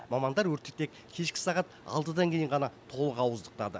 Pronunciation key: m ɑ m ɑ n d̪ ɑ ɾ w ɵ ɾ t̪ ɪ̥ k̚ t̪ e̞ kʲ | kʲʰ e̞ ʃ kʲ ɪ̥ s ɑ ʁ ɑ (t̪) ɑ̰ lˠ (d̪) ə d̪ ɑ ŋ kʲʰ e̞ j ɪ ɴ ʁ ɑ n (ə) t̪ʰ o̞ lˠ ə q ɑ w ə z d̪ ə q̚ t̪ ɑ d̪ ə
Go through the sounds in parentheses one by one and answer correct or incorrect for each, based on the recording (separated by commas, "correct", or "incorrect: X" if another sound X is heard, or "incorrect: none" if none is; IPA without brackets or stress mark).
correct, incorrect: t̪, incorrect: ɑ